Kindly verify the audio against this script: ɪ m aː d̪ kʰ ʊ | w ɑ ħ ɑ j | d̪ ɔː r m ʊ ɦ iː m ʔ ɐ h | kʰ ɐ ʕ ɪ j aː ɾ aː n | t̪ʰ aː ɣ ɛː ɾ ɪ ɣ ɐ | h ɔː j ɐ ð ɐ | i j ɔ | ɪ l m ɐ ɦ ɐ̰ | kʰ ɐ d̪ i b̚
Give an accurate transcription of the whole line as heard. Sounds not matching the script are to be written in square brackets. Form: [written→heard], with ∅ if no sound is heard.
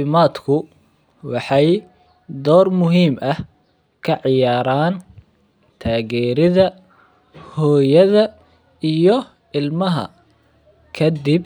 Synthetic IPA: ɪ m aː d̪ kʰ ʊ | w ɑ ħ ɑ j | d̪ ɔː r m ʊ ɦ iː m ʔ ɐ h | kʰ ɐ ʕ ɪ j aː ɾ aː n | t̪ʰ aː ɣ ɛː ɾ ɪ [ɣ→ð] ɐ | h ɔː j ɐ ð ɐ | i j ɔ | ɪ l m ɐ ɦ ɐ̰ | kʰ ɐ d̪ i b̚